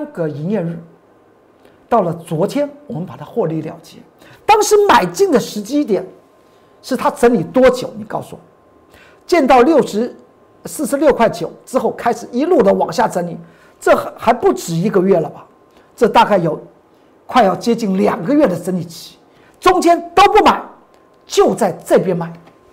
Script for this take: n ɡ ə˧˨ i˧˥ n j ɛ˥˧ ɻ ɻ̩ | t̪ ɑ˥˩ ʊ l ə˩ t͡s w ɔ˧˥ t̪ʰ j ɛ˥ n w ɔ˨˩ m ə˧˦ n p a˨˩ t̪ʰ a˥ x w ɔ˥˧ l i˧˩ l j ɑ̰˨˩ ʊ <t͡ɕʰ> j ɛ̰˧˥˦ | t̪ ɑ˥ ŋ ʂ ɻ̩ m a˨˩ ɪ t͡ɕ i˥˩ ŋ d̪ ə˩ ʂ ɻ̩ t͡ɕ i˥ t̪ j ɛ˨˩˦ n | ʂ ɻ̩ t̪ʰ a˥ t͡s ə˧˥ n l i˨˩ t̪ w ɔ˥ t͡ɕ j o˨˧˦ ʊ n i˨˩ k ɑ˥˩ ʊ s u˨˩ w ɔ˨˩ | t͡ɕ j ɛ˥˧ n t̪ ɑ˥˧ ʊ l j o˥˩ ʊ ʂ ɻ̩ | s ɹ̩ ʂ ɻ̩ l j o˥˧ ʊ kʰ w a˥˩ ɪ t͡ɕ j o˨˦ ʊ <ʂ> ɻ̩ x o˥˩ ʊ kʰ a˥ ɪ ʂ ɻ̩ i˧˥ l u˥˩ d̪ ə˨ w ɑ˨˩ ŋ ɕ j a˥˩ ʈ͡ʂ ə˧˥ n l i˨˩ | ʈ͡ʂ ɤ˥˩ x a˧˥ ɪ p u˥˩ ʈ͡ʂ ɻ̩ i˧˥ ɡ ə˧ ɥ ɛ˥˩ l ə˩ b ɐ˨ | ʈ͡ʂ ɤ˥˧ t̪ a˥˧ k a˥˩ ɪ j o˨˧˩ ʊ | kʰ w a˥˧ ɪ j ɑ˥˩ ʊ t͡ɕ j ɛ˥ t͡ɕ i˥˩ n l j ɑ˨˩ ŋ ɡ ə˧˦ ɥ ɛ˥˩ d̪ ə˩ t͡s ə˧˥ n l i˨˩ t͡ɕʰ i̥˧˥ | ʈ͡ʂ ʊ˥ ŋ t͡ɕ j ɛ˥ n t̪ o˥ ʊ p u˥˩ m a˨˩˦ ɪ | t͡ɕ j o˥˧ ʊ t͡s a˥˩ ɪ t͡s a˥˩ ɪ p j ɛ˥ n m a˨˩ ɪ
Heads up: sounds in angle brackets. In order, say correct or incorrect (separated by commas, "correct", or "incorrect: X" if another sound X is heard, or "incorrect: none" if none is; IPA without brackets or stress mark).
incorrect: t͡ɕ, incorrect: ʈ͡ʂ